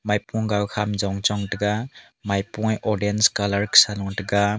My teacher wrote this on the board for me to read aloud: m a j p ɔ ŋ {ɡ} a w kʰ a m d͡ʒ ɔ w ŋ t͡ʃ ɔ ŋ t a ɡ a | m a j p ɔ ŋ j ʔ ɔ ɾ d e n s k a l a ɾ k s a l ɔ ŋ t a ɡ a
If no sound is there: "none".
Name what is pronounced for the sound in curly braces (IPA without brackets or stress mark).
ɡ